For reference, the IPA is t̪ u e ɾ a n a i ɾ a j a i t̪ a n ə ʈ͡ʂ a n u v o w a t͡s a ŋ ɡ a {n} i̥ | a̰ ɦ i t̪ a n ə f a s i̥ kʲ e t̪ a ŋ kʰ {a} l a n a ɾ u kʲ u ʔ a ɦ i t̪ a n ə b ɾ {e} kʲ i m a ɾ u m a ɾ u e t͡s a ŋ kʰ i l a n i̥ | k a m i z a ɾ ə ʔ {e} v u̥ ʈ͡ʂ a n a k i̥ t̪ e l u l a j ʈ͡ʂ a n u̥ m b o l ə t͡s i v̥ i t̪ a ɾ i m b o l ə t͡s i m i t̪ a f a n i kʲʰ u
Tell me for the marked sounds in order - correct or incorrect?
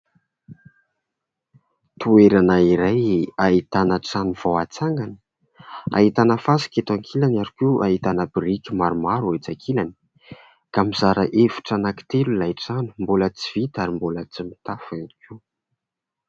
correct, incorrect, incorrect, correct

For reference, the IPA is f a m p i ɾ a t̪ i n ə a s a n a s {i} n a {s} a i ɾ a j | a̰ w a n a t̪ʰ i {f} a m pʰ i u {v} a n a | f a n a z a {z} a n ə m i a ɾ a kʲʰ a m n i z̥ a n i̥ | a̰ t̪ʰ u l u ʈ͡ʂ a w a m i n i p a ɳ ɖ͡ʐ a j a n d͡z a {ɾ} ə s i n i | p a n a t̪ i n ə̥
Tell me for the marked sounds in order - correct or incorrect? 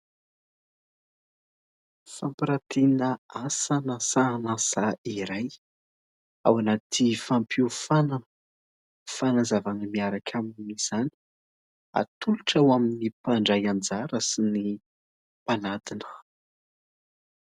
incorrect, correct, correct, incorrect, incorrect, correct

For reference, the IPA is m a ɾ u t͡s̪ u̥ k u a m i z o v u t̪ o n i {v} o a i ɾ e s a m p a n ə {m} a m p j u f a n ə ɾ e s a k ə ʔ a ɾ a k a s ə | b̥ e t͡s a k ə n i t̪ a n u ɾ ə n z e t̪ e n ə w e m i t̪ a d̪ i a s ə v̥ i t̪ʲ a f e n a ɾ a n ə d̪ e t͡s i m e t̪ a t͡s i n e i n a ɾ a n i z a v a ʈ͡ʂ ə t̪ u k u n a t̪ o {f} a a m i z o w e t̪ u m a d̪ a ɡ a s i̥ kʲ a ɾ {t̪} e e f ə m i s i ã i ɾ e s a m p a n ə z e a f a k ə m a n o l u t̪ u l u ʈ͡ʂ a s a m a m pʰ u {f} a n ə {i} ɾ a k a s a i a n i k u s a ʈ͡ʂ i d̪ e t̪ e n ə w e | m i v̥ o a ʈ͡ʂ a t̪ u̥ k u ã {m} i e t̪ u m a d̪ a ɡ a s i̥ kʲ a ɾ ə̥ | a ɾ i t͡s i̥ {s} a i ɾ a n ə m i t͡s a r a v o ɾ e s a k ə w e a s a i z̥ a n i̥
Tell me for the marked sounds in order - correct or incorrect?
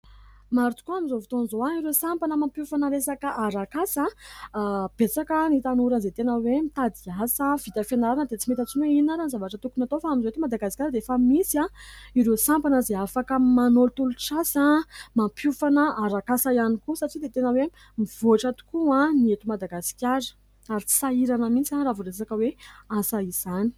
incorrect, correct, correct, incorrect, correct, incorrect, incorrect, correct

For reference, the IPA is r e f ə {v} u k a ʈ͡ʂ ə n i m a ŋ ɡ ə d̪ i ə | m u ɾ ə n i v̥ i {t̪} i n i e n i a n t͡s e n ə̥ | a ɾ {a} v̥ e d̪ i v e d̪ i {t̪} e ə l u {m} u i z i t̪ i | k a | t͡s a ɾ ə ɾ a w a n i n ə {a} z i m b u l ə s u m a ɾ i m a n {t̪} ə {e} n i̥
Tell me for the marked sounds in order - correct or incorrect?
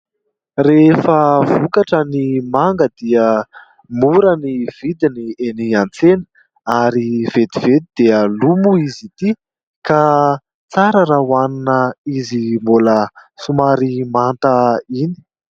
correct, incorrect, incorrect, incorrect, correct, incorrect, correct, incorrect

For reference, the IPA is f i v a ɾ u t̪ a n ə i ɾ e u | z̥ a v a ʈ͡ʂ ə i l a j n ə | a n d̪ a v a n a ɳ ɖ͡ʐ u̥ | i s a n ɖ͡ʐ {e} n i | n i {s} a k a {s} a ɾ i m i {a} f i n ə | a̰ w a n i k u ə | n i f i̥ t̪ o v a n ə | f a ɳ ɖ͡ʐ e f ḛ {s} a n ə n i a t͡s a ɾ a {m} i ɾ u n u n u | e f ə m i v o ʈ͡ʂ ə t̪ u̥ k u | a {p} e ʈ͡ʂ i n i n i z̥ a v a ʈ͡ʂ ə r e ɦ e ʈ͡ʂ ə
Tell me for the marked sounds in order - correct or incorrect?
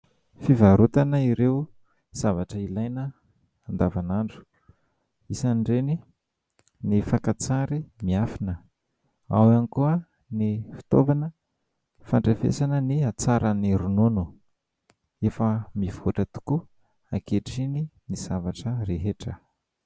correct, incorrect, incorrect, correct, correct, incorrect, incorrect

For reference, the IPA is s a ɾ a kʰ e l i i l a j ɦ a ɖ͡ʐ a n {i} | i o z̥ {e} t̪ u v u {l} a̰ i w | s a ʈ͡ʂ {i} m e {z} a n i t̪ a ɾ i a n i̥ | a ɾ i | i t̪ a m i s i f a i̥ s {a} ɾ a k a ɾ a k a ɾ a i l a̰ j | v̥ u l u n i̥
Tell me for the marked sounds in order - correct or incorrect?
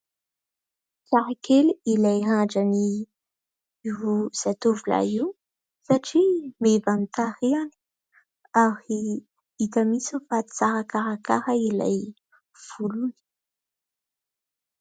correct, incorrect, correct, correct, incorrect, correct

